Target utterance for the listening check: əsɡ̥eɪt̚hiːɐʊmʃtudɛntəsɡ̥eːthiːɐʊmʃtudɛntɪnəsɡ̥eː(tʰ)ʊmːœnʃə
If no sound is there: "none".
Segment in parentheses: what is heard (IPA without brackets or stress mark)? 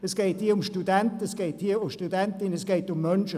t